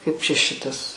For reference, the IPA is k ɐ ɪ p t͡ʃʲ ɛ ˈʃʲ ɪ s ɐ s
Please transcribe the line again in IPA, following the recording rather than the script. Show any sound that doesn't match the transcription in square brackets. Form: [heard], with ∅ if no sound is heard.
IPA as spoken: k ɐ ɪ p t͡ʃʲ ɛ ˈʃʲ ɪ [t] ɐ s